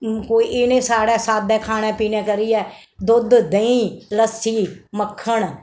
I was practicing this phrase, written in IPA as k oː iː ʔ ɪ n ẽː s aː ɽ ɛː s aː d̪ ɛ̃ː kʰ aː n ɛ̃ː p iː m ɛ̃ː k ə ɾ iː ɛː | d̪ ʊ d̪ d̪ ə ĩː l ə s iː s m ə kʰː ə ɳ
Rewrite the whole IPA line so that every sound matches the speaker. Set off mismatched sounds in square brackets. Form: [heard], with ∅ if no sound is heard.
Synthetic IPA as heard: k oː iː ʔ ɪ n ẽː s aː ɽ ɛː s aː d̪ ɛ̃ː kʰ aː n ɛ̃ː p iː [n] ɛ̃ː k ə ɾ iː ɛː | d̪ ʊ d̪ d̪ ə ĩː l ə s iː [∅] m ə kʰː ə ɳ